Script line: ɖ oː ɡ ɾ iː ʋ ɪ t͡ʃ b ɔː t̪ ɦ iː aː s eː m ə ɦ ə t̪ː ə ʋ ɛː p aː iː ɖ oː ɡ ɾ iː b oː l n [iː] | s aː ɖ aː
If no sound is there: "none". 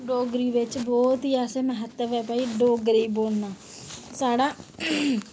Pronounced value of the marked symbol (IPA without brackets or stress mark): aː